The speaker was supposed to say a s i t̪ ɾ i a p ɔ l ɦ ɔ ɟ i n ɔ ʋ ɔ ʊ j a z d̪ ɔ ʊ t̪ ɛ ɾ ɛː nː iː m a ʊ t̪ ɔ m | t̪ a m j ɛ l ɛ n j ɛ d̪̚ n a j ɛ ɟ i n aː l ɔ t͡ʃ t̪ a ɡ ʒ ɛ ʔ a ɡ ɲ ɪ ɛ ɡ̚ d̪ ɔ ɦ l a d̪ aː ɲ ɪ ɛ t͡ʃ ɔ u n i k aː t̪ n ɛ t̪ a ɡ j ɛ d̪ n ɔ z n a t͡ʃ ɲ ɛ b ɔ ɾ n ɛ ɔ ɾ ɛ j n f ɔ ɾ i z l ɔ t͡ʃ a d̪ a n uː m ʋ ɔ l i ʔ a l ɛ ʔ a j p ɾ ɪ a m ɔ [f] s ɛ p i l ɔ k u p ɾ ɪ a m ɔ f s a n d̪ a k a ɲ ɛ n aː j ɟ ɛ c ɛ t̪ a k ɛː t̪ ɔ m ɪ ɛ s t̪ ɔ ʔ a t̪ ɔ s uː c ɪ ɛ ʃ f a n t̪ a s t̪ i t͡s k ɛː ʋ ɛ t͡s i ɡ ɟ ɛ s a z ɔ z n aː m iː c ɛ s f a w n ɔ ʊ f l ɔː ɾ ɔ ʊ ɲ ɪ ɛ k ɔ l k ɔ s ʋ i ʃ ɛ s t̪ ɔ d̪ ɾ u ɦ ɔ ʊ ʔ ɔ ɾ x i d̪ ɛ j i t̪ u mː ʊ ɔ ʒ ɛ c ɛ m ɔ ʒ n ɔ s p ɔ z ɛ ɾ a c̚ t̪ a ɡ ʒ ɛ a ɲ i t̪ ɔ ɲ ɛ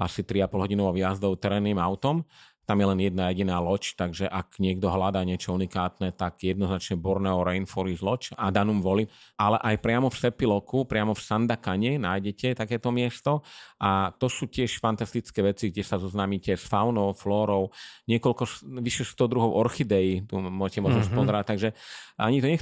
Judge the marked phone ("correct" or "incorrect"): correct